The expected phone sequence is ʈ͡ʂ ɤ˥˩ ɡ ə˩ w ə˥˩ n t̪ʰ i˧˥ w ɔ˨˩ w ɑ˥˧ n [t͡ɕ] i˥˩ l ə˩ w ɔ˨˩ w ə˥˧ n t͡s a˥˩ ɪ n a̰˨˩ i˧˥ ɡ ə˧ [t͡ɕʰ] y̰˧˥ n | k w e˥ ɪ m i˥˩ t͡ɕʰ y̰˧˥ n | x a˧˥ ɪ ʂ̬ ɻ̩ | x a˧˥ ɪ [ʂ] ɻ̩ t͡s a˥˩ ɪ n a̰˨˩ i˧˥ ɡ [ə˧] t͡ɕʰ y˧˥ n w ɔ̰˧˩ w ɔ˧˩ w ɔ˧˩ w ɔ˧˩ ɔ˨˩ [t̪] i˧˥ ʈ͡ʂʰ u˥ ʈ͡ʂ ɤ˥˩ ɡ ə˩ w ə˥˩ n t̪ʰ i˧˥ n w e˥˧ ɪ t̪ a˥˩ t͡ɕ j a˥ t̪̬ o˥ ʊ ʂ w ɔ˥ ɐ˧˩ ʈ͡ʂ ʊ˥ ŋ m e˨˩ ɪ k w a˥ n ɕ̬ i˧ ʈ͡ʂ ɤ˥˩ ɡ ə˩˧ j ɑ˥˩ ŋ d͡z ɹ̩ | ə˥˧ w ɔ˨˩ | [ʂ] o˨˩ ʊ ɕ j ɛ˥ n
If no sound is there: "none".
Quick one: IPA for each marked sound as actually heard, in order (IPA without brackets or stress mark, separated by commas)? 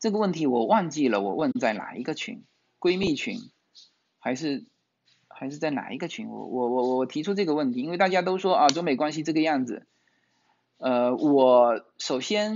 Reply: t͡ɕ, t͡ɕʰ, ʂ, ə˧, t̪ʰ, ʂ